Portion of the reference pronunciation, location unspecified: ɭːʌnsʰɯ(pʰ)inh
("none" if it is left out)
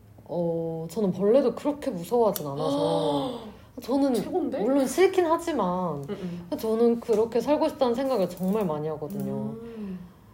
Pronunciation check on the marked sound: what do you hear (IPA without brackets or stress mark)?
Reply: kʰ